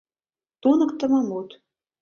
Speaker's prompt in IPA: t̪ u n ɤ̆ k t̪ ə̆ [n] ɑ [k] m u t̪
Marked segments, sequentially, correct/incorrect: incorrect: m, incorrect: none

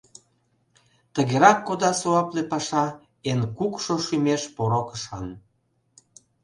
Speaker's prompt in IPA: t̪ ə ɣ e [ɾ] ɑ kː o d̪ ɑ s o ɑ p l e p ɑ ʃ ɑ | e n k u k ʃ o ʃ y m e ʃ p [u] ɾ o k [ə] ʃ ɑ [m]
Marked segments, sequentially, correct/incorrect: correct, incorrect: o, correct, incorrect: n

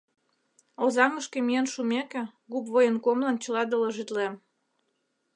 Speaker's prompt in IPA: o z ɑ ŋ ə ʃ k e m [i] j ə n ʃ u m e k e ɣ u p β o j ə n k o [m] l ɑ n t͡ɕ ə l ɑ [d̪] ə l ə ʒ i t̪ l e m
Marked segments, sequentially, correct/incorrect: correct, correct, correct

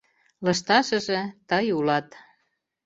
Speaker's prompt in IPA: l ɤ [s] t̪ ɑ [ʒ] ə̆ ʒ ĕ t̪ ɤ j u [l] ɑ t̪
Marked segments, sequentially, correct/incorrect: incorrect: ʃ, incorrect: ʃ, correct

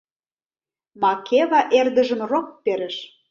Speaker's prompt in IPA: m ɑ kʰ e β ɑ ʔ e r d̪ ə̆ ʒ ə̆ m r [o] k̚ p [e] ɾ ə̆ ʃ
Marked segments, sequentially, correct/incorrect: correct, correct

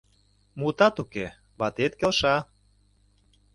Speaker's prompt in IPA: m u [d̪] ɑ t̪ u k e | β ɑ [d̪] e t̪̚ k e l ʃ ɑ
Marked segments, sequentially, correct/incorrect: incorrect: t̪, incorrect: t̪

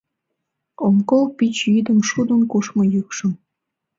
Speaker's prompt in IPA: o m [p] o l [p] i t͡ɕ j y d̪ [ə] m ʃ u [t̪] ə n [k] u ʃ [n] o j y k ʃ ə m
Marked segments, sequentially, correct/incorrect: incorrect: k, correct, correct, incorrect: d̪, correct, incorrect: m

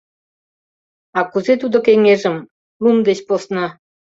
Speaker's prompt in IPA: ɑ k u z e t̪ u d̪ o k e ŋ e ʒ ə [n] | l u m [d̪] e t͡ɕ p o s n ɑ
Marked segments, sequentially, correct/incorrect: incorrect: m, correct

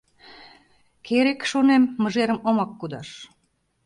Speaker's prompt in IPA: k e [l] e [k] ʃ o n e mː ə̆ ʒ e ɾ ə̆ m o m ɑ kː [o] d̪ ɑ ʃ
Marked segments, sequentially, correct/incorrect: incorrect: ɾ, correct, incorrect: u

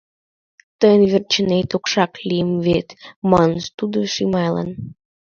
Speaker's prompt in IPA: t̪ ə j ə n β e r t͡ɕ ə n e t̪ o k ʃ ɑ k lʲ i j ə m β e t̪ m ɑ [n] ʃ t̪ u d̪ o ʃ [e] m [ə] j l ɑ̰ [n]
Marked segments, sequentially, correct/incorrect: correct, incorrect: i, incorrect: ɑ, correct

